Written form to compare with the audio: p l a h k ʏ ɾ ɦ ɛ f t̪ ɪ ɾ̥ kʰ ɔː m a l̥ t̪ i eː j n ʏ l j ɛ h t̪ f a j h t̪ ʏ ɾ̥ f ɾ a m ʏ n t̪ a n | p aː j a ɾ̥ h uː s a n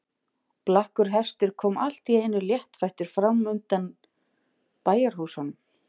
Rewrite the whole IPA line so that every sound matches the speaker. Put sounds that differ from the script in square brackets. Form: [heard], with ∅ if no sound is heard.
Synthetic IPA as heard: p l a h k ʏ ɾ ɦ ɛ [s] t̪ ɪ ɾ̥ kʰ ɔː m a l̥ t̪ i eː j n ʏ l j ɛ h t̪ f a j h t̪ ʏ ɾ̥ f ɾ a m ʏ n t̪ a n | p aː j a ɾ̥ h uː s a n